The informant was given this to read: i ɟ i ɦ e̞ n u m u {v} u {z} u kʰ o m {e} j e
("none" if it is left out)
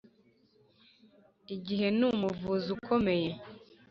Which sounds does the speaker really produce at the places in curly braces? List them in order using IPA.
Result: v, z, e

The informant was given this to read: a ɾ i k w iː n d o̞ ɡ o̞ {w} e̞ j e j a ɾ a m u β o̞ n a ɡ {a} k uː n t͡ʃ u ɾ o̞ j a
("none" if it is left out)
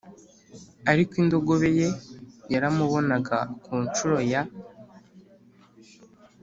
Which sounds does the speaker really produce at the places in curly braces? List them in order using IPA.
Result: β, a

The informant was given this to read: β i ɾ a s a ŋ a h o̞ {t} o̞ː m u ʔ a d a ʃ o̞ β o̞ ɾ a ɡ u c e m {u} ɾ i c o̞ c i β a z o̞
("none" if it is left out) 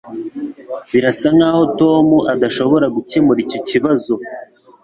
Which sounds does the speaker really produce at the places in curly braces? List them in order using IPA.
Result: t, u

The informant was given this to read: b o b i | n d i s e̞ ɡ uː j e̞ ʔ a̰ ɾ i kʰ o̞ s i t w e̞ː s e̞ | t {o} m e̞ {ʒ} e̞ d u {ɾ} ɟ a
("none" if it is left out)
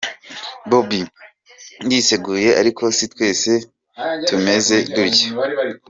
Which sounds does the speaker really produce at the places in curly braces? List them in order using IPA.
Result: u, z, ɾ

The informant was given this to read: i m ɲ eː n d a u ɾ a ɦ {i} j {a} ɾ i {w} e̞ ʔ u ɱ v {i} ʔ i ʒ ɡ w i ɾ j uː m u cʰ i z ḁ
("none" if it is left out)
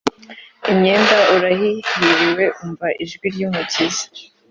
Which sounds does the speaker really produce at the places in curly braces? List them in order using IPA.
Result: i, i, w, a

